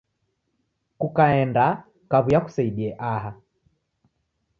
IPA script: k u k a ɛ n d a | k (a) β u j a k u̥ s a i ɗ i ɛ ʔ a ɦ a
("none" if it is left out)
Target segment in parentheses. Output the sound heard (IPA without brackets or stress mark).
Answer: a